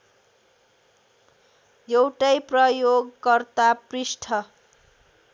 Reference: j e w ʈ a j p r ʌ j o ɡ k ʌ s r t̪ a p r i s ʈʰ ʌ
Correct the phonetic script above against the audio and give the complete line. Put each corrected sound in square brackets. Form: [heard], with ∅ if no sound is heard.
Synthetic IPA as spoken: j e w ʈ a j p r ʌ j o ɡ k ʌ [∅] r t̪ a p r i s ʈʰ ʌ